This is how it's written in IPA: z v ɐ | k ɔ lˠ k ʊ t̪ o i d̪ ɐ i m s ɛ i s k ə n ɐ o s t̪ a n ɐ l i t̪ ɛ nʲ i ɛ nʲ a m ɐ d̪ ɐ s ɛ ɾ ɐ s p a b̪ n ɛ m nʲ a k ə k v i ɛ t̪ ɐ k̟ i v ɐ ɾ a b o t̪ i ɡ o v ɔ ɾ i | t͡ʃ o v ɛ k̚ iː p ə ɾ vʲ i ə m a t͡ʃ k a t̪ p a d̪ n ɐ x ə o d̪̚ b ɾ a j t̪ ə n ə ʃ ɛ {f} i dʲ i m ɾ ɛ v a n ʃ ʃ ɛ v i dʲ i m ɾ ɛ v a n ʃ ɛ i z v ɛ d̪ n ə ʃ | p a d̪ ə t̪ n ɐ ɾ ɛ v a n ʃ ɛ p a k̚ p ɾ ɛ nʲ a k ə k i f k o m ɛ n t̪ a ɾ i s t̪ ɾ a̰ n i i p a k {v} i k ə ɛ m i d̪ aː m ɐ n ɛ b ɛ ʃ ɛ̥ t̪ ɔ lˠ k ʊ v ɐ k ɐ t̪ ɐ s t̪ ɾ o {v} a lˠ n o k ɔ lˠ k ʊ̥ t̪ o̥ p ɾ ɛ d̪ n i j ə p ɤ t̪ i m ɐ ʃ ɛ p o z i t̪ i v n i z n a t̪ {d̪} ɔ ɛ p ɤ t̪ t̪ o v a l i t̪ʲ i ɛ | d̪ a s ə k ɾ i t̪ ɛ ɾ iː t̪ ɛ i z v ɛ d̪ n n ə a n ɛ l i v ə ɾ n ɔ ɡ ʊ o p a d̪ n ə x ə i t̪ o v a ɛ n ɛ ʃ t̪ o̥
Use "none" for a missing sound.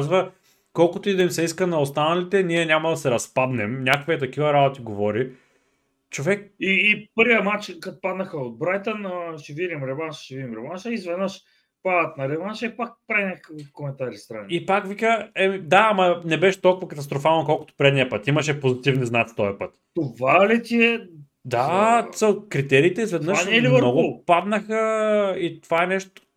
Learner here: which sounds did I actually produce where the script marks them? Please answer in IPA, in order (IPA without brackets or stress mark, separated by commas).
v, v, f, t̪